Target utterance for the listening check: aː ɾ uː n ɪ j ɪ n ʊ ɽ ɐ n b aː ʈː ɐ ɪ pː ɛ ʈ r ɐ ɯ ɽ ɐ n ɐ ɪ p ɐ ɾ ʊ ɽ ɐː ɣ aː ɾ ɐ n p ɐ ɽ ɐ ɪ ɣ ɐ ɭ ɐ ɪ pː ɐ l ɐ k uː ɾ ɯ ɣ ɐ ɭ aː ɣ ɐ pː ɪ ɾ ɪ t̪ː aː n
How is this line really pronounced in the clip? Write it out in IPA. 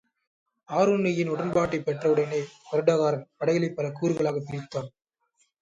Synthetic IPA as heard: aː ɾ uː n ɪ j ɪ n ʊ ɽ ɐ n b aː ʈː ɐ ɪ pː ɛ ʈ r ɐ ɯ ɽ ɐ n ɐ ɪ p ɐ ɾ ɯ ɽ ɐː ɣ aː ɾ ɐ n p ɐ ɽ ɐ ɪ ɣ ɐ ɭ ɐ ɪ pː ɐ l ɐ k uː ɾ ɯ ɣ ɐ ɭ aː ɣ ɐ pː ɪ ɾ ɪ t̪ː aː n